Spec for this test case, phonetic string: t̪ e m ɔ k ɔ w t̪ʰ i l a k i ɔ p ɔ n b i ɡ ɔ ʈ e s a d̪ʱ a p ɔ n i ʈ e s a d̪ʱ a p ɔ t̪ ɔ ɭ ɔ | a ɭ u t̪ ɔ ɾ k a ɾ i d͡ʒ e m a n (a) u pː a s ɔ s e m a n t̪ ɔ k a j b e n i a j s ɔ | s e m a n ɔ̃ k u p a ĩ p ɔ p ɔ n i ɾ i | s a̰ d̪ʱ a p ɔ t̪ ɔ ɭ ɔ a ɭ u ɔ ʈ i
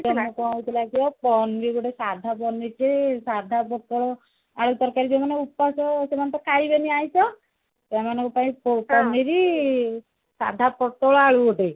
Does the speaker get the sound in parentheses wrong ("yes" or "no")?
yes